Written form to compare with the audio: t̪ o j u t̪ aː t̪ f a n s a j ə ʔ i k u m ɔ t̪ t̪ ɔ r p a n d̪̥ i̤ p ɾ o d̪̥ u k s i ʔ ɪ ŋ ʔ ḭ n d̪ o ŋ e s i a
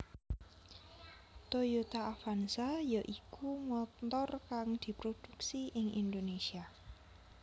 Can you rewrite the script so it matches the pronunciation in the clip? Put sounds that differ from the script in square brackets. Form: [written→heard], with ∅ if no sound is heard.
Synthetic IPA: t̪ o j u t̪ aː [t̪→∅] f a n s a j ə ʔ i k u m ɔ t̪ t̪ ɔ r [p→k] a [n→ŋ] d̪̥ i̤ p ɾ o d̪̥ u k s i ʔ ɪ ŋ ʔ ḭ n d̪ o [ŋ→n] e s i a